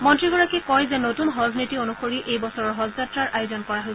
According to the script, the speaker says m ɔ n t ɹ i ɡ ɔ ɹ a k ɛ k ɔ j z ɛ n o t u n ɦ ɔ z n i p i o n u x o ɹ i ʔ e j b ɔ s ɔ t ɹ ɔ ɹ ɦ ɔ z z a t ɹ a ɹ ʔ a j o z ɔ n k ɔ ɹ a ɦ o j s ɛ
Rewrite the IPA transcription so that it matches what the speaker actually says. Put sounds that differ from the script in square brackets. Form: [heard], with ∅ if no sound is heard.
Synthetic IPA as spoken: m ɔ n t ɹ i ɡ ɔ ɹ a k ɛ k ɔ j z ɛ n o t u n ɦ ɔ z n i [t] i o n u x o ɹ i ʔ e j b ɔ s ɔ [∅] ɹ ɔ ɹ ɦ ɔ z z a t ɹ a ɹ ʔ a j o z ɔ n k ɔ ɹ a ɦ o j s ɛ